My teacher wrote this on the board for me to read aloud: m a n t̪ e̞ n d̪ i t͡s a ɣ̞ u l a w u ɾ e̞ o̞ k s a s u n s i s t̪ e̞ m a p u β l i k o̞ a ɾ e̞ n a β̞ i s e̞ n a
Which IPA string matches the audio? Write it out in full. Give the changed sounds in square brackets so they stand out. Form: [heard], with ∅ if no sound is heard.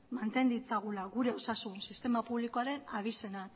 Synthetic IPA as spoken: m a n t̪ e̞ n d̪ i t͡s a ɣ̞ u l a [ɣ] u ɾ e̞ o̞ [∅] s a s u n s i s t̪ e̞ m a p u β l i k o̞ a ɾ e̞ n a β̞ i s e̞ n a